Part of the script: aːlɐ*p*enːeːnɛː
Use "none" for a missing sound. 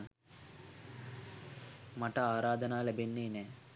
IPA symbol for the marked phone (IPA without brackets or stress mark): b